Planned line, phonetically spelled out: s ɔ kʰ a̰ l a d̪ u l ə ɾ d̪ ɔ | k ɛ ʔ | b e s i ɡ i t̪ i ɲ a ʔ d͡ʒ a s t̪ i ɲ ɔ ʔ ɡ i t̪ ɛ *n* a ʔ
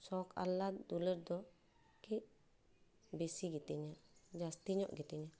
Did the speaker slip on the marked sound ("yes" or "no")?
yes